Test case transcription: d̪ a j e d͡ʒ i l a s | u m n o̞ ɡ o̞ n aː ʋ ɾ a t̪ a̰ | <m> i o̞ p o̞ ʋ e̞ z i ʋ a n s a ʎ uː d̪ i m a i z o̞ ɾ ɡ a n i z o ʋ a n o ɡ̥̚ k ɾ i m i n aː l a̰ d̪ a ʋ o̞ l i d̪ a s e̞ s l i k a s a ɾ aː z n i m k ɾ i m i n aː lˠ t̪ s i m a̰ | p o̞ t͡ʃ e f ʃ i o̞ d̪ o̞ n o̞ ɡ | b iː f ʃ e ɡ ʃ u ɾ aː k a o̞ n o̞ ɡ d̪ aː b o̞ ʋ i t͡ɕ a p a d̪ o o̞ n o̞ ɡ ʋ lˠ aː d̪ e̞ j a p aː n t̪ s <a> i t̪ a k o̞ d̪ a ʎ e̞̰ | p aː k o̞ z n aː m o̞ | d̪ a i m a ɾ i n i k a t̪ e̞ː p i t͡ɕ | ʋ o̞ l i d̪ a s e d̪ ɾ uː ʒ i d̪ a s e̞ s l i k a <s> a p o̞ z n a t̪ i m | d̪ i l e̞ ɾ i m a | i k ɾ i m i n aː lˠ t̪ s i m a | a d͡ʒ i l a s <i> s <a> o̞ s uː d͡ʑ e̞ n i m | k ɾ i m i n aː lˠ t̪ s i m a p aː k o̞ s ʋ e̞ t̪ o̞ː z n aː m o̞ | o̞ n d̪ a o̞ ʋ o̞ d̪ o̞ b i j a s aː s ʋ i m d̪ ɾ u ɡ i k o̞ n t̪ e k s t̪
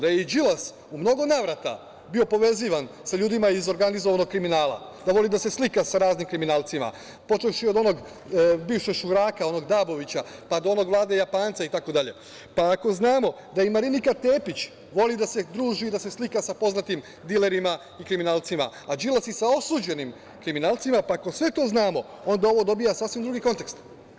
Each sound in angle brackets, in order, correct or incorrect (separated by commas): incorrect, correct, correct, correct, correct